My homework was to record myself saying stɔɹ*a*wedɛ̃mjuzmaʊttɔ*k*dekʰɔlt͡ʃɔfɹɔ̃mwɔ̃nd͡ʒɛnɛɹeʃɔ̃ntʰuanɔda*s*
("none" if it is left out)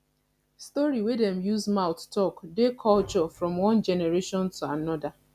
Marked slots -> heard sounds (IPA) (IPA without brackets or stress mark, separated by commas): i, k, none